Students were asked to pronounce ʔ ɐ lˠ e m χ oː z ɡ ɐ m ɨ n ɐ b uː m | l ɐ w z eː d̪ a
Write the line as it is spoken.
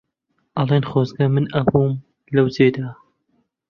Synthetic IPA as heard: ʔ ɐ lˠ e n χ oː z ɡ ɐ m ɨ n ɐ b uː m | l ɐ w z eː d̪ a